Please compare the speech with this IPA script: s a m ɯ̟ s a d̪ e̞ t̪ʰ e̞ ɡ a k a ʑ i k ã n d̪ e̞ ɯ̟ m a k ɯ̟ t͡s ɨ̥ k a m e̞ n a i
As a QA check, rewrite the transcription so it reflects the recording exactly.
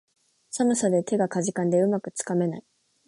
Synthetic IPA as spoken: s a m ɯ̟ s a d̪ e̞ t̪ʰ e̞ ɡ a k a ʑ i k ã n d̪ e̞ ɯ̟ m a k ɯ̟ t͡s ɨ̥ k a m e̞ n a i